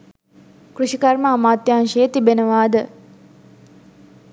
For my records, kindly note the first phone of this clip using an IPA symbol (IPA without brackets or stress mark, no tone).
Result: k